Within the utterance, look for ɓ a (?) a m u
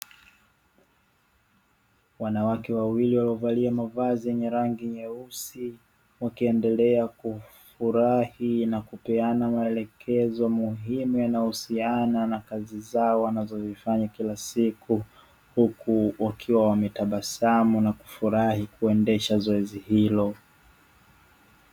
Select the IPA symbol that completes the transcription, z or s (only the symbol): s